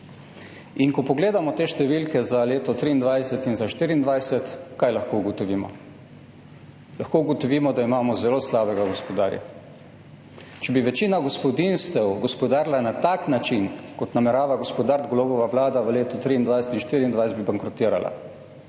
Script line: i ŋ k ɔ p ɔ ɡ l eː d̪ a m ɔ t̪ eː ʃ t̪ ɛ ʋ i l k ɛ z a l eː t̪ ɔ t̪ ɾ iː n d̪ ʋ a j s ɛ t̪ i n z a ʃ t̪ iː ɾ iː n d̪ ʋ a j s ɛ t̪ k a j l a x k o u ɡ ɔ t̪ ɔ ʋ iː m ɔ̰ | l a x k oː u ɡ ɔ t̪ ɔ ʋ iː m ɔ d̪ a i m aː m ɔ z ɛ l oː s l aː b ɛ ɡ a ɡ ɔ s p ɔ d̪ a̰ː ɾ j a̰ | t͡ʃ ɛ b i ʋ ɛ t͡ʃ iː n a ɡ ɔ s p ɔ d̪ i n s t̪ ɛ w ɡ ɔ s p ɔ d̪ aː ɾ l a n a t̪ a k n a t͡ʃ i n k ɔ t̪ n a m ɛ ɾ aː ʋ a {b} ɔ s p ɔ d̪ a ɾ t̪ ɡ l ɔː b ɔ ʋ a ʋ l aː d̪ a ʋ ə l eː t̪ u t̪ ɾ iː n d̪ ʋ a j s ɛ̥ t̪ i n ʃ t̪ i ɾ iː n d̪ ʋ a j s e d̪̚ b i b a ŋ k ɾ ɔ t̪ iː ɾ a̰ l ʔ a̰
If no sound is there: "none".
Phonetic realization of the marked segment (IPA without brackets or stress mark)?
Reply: ɡ